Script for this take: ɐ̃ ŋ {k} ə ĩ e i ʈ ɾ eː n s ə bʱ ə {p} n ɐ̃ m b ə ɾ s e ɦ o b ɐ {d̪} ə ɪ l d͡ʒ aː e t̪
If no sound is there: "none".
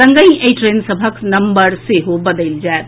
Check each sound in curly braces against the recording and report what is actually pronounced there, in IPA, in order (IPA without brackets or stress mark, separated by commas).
ɡ, k, d̪